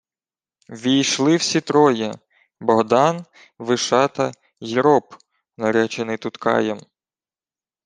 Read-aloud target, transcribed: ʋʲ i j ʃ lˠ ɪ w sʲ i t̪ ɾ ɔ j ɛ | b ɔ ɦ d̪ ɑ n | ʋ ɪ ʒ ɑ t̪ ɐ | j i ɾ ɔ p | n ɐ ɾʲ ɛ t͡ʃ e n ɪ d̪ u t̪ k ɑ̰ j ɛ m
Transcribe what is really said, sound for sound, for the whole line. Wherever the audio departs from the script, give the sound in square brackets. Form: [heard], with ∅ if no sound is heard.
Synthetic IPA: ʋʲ i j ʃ lˠ ɪ w sʲ i t̪ ɾ ɔ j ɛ | b ɔ ɦ d̪ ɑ n | ʋ ɪ [ʃ] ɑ t̪ ɐ | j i ɾ ɔ p | n ɐ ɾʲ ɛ t͡ʃ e n ɪ [t̪] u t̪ k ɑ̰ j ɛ m